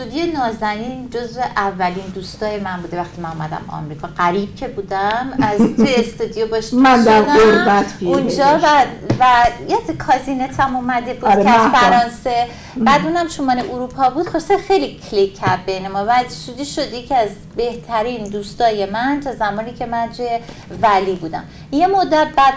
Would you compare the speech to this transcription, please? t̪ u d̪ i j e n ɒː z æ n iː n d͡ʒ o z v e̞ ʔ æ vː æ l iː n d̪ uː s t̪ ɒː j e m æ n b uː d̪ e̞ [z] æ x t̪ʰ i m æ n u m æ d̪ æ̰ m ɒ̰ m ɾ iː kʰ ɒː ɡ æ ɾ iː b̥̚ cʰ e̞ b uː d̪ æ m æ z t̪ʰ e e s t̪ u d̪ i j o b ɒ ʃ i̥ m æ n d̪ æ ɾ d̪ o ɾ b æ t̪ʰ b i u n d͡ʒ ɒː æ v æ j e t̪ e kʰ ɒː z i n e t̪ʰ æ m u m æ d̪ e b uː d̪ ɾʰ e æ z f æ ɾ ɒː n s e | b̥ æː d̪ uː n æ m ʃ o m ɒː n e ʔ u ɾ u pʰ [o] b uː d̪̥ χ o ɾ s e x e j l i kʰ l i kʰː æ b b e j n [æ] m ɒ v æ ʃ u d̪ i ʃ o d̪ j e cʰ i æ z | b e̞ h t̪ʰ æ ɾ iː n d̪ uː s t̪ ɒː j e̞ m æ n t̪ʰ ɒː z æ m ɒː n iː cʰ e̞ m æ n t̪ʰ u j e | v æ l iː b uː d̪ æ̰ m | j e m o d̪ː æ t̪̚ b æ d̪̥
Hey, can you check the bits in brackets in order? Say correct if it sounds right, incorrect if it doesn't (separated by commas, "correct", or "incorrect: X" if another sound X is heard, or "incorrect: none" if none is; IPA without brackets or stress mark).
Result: incorrect: v, incorrect: ɒ, incorrect: e